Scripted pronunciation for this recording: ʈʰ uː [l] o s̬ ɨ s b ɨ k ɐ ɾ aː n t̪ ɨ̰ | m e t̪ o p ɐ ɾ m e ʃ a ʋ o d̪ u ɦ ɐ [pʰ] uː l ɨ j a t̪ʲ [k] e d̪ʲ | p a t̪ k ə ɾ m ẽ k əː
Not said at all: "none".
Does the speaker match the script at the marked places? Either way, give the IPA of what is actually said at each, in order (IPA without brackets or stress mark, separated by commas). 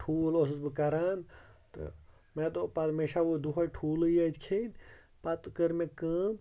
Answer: l, ʈʰ, kʰ